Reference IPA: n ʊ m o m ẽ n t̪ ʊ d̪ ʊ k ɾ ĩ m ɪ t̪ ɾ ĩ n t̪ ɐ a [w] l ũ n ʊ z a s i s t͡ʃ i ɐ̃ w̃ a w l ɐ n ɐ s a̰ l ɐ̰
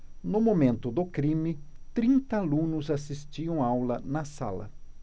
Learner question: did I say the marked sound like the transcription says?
no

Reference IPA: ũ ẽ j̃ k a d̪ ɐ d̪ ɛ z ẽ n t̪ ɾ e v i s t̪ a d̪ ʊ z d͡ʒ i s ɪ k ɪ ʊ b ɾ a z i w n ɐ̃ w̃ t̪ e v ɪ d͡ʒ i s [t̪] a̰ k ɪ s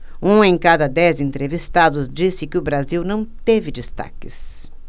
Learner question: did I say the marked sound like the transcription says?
yes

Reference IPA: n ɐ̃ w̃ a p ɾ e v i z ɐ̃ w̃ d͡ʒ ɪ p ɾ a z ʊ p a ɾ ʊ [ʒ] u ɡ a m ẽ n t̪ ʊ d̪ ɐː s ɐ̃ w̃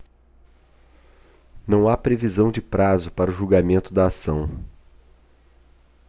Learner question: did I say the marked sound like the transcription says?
yes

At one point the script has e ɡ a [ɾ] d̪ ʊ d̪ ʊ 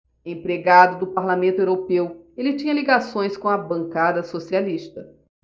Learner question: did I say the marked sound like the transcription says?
no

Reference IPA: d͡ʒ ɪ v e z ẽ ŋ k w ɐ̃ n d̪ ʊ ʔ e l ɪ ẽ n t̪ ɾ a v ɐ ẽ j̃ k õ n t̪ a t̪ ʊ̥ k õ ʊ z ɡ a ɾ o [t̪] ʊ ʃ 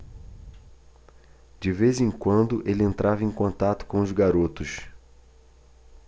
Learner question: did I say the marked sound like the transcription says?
yes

